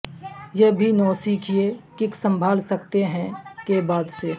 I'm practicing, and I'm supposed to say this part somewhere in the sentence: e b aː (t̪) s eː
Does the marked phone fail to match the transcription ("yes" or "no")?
yes